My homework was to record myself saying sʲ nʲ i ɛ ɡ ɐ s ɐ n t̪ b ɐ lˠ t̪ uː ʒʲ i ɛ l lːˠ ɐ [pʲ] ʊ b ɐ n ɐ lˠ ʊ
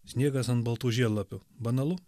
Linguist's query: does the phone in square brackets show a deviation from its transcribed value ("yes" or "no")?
no